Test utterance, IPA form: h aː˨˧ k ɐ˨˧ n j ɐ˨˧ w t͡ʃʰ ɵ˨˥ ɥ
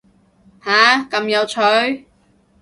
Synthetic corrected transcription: h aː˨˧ k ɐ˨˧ m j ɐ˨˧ w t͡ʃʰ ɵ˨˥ ɥ